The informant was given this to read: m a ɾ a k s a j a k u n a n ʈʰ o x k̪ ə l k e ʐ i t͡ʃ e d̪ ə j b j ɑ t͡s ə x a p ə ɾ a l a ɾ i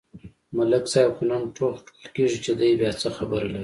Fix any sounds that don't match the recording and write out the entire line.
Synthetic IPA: m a l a k s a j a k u n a n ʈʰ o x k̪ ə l k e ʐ i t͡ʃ e d̪ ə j b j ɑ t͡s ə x a b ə ɾ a l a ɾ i